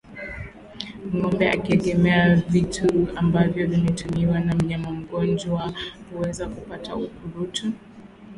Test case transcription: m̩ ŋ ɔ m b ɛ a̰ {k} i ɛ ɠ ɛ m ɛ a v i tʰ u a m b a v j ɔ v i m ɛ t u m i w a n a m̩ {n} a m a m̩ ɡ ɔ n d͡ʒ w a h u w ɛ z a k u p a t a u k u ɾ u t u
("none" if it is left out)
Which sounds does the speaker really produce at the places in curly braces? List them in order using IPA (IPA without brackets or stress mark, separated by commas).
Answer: k, ɲ